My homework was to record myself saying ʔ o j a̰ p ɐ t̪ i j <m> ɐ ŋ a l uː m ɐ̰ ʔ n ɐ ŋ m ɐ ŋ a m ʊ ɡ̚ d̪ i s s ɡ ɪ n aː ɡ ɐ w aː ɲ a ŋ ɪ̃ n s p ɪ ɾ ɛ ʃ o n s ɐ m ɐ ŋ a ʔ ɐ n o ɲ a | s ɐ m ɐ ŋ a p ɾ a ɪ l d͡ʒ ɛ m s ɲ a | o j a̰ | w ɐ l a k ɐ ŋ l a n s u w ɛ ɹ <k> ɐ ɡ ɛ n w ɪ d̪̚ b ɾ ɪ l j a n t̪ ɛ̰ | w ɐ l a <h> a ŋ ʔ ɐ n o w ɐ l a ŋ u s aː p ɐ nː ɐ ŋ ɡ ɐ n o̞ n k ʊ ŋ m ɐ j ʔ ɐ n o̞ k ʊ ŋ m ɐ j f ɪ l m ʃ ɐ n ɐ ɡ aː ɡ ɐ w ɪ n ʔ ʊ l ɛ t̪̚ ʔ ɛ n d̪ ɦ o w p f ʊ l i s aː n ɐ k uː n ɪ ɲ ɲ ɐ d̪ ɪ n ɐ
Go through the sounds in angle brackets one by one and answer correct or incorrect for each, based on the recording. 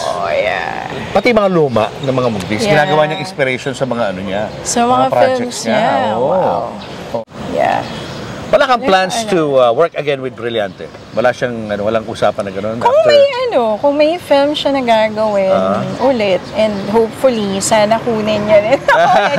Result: correct, correct, incorrect: ʃ

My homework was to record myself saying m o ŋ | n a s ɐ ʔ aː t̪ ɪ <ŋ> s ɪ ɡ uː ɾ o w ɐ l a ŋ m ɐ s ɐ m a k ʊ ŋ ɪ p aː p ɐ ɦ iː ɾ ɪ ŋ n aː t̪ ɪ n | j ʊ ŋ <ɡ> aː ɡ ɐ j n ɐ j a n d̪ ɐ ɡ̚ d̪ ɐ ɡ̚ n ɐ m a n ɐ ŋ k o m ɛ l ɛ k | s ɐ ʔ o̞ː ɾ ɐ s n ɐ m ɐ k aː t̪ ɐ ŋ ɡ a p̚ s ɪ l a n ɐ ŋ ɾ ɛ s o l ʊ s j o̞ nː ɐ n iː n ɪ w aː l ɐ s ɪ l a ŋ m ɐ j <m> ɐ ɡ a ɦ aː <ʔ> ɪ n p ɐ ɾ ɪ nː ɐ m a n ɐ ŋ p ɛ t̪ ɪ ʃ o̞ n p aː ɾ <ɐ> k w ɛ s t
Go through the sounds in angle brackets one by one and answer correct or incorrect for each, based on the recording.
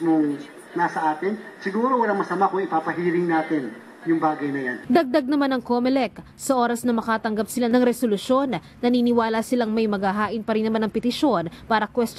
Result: incorrect: n, incorrect: b, correct, correct, correct

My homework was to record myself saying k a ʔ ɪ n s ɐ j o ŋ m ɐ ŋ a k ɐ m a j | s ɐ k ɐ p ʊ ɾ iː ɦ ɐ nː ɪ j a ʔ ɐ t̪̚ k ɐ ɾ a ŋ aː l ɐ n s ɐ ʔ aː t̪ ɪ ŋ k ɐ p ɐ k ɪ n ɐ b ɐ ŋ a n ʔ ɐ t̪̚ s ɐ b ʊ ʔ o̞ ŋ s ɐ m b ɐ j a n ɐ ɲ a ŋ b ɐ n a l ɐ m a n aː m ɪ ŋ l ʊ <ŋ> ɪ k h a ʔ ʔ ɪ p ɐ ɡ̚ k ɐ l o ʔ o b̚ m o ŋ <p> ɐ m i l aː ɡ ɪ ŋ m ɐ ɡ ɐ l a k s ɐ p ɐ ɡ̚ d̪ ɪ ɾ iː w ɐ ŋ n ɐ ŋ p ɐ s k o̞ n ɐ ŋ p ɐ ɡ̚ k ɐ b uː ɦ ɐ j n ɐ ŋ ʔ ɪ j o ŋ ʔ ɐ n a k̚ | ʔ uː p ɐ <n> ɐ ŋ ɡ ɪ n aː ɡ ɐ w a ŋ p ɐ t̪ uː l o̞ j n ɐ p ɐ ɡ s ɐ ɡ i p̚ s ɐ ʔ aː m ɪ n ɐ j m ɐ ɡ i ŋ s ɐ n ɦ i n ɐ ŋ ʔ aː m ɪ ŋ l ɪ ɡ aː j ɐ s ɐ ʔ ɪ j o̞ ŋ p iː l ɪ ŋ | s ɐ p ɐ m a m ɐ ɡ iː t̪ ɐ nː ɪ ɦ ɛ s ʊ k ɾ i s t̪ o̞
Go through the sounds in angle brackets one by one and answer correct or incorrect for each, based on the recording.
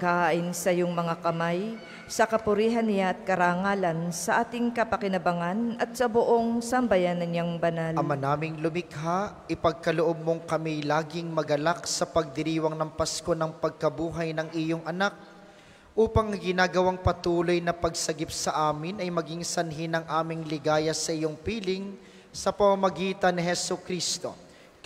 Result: incorrect: m, incorrect: k, incorrect: ŋ

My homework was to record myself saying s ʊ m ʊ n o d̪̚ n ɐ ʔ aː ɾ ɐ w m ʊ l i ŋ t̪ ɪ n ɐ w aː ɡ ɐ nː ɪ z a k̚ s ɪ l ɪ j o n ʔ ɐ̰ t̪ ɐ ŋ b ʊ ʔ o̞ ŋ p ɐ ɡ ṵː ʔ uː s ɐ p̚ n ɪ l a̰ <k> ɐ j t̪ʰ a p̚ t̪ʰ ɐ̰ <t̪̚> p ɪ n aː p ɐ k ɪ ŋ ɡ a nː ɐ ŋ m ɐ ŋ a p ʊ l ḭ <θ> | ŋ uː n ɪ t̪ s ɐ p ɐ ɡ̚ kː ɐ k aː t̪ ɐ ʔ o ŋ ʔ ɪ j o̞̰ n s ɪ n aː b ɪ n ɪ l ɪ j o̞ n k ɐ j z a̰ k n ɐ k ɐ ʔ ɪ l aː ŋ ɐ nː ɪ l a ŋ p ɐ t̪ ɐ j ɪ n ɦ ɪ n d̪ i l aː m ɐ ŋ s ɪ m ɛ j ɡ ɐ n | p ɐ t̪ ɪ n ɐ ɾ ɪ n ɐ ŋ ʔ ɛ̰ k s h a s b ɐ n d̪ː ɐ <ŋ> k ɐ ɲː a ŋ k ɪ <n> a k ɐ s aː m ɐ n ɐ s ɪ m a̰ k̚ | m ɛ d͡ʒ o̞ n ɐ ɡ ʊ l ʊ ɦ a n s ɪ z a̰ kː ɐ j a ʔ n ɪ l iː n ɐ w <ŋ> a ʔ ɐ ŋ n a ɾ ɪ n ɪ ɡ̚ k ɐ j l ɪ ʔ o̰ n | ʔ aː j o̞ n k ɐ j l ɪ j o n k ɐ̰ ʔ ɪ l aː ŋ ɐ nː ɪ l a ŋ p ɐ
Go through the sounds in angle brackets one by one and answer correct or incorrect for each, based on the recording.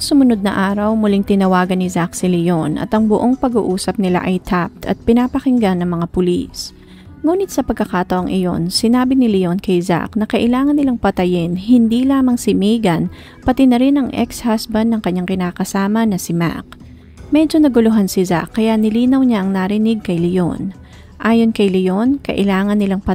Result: incorrect: ʔ, correct, incorrect: s, correct, correct, incorrect: ɲ

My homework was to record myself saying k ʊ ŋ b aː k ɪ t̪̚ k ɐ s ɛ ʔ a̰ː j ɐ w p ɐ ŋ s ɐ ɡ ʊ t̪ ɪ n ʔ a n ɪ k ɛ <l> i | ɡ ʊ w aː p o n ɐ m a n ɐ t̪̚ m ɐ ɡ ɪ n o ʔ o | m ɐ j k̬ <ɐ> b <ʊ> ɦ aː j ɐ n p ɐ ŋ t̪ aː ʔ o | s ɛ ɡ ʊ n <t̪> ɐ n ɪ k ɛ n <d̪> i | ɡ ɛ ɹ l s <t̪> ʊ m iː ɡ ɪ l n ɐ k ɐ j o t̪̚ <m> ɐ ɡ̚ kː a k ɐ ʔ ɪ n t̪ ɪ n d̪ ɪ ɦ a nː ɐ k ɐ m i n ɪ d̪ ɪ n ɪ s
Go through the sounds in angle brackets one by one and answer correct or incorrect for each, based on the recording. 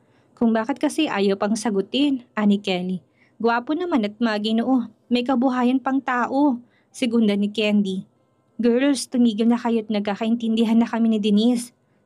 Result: correct, correct, correct, incorrect: d̪, correct, correct, incorrect: n

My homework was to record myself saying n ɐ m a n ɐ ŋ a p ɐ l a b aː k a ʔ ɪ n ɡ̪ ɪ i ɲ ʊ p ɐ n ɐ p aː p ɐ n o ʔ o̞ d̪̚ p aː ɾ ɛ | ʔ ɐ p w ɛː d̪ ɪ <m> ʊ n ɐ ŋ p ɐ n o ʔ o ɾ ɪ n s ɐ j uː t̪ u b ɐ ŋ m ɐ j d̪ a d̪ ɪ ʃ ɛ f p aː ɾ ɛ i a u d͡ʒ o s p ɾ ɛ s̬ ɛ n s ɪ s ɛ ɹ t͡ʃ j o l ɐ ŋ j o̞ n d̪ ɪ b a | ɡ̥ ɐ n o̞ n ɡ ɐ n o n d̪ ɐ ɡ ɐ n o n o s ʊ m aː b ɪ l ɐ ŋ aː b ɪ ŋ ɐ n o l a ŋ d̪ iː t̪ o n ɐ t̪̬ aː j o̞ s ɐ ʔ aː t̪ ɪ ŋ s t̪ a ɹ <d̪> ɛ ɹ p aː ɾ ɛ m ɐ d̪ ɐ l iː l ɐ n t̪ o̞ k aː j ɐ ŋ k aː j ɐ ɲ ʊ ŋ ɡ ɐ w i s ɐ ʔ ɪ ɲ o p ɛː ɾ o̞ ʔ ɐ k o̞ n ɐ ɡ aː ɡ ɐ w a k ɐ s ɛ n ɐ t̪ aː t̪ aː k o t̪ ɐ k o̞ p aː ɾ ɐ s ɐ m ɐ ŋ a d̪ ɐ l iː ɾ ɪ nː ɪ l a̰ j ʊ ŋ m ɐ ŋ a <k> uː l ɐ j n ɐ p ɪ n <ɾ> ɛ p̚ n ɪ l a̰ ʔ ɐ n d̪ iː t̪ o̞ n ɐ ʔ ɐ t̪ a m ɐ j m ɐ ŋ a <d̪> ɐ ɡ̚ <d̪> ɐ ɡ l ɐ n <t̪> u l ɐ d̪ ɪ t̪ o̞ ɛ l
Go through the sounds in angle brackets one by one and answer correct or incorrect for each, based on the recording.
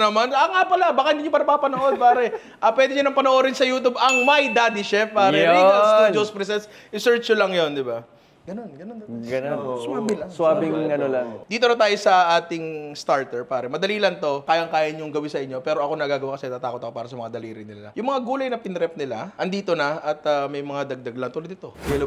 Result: incorrect: ɲ, incorrect: t̪, incorrect: ɡ, correct, correct, correct, correct

